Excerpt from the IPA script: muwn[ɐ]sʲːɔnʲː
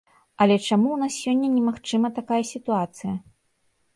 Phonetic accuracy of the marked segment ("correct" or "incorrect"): incorrect